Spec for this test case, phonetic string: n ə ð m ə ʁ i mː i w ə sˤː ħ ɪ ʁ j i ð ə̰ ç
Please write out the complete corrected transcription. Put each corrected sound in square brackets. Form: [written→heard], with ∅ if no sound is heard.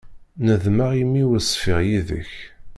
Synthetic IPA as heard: n ə ð m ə ʁ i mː i w ə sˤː [ħ→f] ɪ ʁ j i ð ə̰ ç